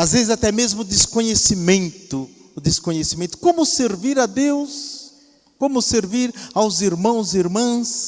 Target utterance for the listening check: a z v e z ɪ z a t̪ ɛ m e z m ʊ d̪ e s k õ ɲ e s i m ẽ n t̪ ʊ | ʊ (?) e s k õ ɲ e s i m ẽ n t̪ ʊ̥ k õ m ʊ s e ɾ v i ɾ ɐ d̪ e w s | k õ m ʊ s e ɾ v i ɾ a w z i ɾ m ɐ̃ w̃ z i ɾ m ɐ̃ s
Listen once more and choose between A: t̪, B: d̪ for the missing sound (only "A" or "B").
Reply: B